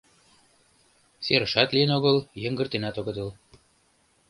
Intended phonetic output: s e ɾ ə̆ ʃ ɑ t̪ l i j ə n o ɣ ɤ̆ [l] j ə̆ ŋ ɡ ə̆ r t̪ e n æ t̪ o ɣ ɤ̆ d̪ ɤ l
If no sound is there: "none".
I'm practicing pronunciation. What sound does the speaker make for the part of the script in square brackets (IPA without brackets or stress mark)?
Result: l